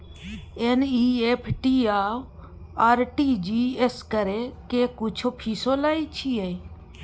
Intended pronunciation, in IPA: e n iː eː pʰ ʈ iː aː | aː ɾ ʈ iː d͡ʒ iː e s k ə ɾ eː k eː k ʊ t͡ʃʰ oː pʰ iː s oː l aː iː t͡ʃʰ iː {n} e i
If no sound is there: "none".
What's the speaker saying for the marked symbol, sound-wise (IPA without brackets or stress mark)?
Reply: none